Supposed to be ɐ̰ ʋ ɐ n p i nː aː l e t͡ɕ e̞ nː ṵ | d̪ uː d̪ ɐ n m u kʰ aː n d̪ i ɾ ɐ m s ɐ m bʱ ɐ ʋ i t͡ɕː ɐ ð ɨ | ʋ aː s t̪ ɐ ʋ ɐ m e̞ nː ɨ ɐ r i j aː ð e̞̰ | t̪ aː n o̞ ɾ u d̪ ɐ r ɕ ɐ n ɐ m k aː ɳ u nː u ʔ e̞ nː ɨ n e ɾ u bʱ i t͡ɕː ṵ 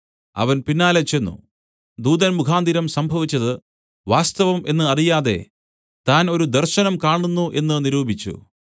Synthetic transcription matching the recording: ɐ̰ ʋ ɐ n p i nː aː l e t͡ɕ e̞ nː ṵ | d̪ uː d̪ ɐ n m u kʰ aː n d̪ i ɾ ɐ m s ɐ m bʱ ɐ ʋ i t͡ɕː ɐ ð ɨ | ʋ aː s t̪ ɐ ʋ ɐ m e̞ nː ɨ ɐ r i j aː ð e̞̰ | t̪ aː n o̞ ɾ u d̪ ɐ r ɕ ɐ n ɐ m k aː ɳ u nː u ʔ e̞ nː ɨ n i ɾ uː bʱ i t͡ɕː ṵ